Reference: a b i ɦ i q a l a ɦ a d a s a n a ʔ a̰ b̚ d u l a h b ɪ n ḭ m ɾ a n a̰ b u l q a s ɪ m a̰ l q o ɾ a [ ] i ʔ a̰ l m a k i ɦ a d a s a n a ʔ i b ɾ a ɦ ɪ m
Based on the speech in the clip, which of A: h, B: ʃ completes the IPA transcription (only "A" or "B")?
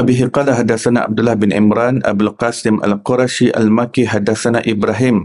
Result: B